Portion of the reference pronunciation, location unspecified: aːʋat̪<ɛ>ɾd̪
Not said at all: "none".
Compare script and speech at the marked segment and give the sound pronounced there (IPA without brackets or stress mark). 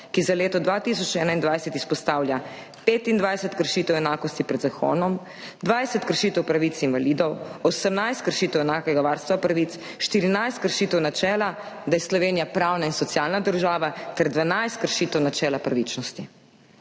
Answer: ɛ